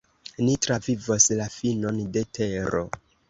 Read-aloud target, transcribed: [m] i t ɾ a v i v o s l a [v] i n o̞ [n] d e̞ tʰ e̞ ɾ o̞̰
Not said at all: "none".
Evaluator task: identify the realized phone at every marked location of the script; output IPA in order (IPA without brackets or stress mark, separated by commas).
n, f, n